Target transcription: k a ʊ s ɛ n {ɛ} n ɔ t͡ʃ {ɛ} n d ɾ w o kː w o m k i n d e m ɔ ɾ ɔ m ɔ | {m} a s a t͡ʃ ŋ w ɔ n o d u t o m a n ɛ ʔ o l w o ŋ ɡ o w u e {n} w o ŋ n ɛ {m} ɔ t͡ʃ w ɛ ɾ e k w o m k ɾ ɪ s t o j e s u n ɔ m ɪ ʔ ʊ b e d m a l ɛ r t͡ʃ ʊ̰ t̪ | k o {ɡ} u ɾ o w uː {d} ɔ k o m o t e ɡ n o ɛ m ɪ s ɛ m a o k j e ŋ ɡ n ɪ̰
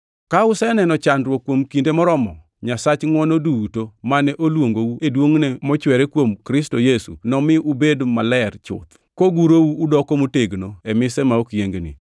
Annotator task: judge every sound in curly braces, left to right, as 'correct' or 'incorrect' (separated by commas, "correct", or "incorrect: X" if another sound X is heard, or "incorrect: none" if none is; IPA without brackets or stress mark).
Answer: correct, incorrect: a, incorrect: ɲ, incorrect: d, correct, correct, correct